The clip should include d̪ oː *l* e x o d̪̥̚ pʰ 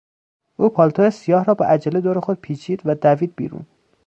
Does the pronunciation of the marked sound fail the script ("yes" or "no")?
yes